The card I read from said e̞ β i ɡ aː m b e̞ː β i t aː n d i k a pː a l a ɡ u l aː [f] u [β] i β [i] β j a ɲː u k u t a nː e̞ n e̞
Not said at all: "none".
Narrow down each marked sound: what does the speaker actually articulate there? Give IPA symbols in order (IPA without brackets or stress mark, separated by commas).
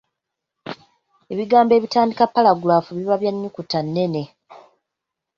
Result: f, β, a